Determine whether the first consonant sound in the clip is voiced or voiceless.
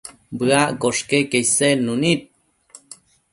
voiced